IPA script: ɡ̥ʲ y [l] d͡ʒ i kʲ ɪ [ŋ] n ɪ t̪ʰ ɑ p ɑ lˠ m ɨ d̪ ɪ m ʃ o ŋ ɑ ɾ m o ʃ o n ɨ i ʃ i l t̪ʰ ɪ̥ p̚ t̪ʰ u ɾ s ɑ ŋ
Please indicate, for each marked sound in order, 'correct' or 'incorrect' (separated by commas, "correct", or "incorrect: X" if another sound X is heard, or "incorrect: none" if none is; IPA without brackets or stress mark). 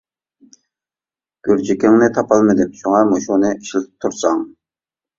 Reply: incorrect: ɾ, correct